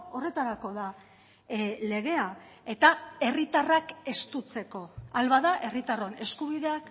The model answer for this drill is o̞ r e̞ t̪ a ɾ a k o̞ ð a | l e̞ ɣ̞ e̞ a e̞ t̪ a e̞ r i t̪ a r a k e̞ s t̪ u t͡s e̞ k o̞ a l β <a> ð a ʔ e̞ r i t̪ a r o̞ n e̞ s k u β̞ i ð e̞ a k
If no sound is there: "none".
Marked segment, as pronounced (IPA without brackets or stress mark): a